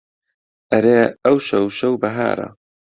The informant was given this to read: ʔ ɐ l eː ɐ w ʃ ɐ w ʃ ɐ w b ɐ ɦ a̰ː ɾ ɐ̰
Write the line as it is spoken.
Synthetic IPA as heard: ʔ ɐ ɾ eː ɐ w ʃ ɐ w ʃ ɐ w b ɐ ɦ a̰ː ɾ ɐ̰